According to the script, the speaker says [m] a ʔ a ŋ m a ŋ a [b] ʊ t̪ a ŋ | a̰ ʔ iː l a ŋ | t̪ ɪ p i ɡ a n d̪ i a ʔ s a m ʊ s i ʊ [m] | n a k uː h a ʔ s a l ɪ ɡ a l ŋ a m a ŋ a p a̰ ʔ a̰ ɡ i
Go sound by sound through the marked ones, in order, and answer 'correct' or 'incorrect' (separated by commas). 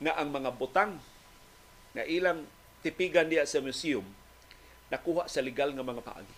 incorrect, correct, correct